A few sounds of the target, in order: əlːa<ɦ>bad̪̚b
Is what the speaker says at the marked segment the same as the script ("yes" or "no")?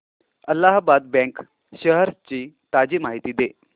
yes